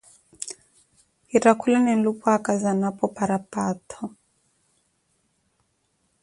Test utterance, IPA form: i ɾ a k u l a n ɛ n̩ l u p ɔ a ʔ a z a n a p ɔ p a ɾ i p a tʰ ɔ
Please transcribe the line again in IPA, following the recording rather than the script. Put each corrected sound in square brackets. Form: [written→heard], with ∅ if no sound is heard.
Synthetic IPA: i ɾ a k u l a n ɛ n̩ l u p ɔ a [ʔ→k] a z a n a p ɔ p a ɾ [i→a] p a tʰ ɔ